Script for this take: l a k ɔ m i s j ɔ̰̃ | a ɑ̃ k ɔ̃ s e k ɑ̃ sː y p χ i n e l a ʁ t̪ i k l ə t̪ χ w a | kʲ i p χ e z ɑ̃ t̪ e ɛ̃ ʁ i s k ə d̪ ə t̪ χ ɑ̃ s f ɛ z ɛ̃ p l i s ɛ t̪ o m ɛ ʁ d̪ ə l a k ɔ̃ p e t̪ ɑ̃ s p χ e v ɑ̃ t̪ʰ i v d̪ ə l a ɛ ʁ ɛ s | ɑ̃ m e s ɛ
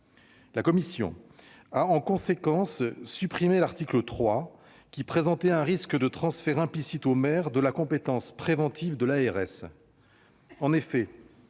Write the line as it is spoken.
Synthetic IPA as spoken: l a k ɔ m i s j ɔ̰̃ | a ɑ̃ k ɔ̃ s e k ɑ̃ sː y p χ i m e l a ʁ t̪ i k l ə t̪ χ w a | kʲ i p χ e z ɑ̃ t̪ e ɛ̃ ʁ i s k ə d̪ ə t̪ χ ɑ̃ s f ɛ ʁ ɛ̃ p l i s i t̪ o m ɛ ʁ d̪ ə l a k ɔ̃ p e t̪ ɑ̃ s p χ e v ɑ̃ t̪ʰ i v d̪ ə l a ɛ ʁ ɛ s | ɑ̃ n e f ɛ